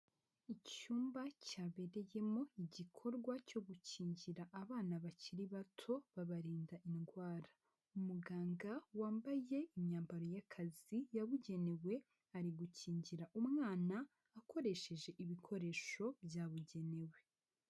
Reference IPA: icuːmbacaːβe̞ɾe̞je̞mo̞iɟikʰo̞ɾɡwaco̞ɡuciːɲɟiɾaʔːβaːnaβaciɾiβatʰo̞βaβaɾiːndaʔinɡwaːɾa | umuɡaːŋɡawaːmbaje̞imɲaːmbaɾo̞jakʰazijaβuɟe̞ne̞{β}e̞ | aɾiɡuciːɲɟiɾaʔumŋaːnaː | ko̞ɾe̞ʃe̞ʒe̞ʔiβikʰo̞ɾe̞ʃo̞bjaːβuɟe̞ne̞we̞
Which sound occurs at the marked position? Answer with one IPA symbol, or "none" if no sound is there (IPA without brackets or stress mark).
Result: w